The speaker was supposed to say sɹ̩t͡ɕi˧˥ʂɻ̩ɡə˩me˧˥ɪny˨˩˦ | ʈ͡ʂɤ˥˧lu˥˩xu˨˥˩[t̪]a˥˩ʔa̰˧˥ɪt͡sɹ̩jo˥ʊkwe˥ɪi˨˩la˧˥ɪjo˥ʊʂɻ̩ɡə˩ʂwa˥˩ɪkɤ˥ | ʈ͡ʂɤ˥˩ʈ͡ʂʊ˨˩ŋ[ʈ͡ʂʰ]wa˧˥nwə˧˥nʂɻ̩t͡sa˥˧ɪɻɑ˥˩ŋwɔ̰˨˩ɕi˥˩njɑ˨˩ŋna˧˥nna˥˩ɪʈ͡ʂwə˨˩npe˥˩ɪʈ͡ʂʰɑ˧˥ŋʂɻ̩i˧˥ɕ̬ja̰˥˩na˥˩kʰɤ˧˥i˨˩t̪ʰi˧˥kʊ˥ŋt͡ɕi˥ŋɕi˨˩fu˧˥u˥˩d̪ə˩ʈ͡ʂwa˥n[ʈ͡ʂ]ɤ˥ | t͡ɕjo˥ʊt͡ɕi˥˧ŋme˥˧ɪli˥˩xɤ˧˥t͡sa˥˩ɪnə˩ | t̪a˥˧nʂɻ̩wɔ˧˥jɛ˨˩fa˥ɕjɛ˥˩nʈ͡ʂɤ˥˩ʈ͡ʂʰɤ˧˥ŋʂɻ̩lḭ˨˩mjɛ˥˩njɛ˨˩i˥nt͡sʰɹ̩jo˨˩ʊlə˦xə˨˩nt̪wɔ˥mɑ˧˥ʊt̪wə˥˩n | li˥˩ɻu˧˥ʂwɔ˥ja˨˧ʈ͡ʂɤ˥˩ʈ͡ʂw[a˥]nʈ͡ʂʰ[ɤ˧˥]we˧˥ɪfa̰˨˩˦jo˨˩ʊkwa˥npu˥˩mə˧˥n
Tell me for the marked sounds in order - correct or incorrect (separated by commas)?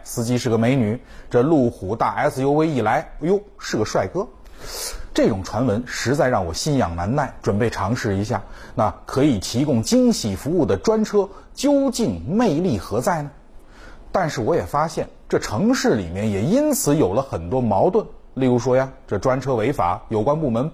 correct, correct, incorrect, correct, incorrect